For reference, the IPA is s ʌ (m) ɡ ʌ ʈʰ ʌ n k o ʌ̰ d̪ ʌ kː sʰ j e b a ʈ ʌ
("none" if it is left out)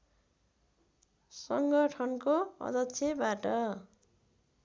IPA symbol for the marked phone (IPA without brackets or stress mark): ŋ